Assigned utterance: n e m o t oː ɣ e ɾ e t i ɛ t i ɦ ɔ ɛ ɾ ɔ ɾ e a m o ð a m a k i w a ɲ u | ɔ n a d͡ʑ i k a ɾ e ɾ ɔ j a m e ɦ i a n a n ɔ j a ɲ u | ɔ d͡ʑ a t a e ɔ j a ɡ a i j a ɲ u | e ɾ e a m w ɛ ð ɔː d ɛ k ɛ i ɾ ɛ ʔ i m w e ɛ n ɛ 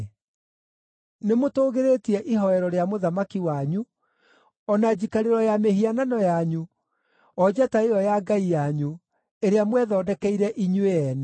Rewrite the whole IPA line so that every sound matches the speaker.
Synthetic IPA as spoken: n e m o t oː ɣ e ɾ e t i ɛ ʔ i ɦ ɔ ɛ ɾ ɔ ɾ e a m o ð a m a k i w a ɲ u | ɔ n a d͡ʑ i k a ɾ e ɾ ɔ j a m e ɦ i a n a n ɔ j a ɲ u | ɔ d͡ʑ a t a e ɔ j a ɡ a i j a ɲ u | e ɾ e a m w ɛ ð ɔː d ɛ k ɛ i ɾ ɛ ʔ i ɲ w e ɛ n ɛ